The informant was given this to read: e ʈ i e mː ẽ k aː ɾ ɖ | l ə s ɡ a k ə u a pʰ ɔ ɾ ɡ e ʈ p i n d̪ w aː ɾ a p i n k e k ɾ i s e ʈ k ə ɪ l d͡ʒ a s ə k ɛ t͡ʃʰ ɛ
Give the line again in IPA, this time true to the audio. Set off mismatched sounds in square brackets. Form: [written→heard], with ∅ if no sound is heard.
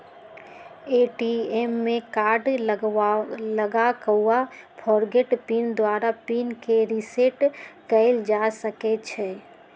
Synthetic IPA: e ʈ i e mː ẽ k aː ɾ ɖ | l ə [s→∅] ɡ a k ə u a pʰ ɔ ɾ ɡ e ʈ p i n d̪ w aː ɾ a p i n k e [k→∅] ɾ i s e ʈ k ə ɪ l d͡ʒ a s ə k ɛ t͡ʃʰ ɛ